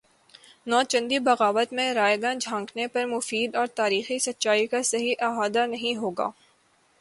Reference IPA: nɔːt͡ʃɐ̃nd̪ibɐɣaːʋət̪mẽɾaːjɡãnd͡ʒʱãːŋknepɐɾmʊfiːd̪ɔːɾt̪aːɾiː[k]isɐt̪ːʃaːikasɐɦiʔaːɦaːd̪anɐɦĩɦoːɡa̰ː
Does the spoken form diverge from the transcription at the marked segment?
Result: yes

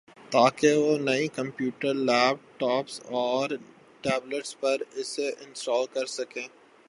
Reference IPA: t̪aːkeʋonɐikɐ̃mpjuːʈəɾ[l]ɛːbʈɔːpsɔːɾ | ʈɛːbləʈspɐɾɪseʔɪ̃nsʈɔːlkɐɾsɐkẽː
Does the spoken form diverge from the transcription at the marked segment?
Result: no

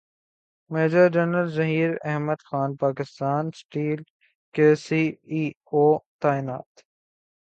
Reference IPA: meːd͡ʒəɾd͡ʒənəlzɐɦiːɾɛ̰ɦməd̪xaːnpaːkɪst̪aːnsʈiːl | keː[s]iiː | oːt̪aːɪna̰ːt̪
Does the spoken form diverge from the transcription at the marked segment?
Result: no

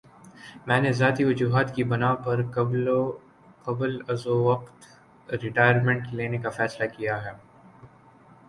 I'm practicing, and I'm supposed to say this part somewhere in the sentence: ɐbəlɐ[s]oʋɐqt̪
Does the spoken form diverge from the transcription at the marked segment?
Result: yes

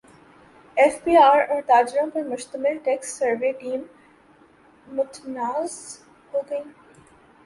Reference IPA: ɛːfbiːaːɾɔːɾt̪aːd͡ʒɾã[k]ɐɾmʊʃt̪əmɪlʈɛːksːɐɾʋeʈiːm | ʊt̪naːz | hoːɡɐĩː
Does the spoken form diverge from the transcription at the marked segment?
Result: yes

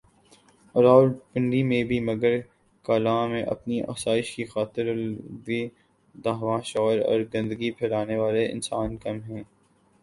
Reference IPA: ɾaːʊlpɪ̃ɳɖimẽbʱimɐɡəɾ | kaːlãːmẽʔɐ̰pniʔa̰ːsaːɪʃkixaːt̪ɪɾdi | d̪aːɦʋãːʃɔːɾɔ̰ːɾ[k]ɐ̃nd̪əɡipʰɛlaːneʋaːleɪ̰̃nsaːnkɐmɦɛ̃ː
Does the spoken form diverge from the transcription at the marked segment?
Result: yes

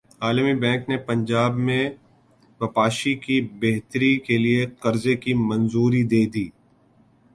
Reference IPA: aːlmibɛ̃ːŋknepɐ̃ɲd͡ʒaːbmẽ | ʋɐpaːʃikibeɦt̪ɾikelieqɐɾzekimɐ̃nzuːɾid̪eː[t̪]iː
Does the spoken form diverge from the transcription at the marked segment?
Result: yes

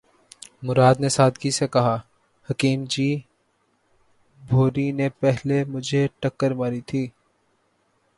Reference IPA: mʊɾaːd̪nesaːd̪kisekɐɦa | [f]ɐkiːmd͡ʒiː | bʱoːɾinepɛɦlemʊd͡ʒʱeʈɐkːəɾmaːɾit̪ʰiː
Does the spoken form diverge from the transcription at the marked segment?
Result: yes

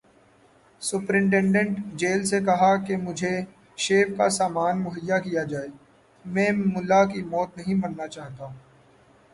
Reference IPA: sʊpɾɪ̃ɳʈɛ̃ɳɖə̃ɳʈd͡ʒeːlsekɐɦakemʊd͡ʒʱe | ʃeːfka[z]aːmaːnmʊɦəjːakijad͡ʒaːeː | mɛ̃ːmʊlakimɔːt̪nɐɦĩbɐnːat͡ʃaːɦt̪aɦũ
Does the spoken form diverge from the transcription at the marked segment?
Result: yes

